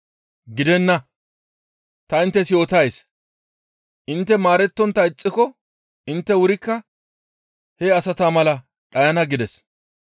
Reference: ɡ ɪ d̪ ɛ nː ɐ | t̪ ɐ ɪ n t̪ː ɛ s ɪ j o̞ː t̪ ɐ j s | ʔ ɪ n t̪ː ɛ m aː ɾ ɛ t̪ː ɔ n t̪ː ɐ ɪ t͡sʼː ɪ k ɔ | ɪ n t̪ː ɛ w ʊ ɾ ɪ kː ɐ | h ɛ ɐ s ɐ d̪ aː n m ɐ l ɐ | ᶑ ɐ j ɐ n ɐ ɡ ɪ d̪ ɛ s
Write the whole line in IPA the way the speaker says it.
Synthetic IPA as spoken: ɡ ɪ d̪ ɛ nː ɐ | t̪ ɐ ɪ n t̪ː ɛ s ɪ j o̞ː t̪ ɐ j s | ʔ ɪ n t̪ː ɛ m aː ɾ ɛ t̪ː ɔ n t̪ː ɐ ɪ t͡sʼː ɪ k ɔ | ɪ n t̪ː ɛ w ʊ ɾ ɪ kː ɐ | h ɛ ɐ s ɐ t̪ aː m ɐ l ɐ | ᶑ ɐ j ɐ n ɐ ɡ ɪ d̪ ɛ s